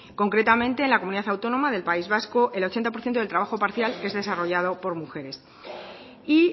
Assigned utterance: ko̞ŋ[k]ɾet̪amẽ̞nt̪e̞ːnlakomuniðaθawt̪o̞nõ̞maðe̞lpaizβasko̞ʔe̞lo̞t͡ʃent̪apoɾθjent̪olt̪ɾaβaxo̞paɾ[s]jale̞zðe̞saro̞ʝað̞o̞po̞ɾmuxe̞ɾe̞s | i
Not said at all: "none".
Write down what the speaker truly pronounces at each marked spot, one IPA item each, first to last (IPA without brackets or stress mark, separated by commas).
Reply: k, θ